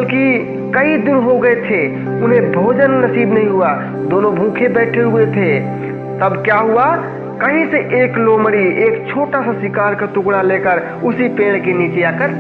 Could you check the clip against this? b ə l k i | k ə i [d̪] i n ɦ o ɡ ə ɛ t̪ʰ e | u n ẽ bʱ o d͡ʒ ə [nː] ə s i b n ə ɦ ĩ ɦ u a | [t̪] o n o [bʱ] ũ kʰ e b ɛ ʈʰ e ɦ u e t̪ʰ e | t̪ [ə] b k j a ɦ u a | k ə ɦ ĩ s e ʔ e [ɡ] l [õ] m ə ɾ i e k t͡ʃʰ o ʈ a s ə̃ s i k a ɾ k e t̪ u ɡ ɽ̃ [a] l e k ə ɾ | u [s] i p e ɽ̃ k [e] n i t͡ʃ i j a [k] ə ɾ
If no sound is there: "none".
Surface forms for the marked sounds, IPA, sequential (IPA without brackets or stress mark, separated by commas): d̪, nː, d̪, bʱ, ə, k, o, a, s, e, k